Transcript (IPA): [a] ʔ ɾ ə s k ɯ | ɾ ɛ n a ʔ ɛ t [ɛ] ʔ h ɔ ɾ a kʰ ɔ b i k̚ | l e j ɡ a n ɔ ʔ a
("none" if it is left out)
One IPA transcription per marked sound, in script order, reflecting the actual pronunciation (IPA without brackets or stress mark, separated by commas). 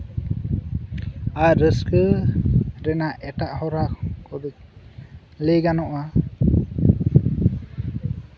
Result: a, a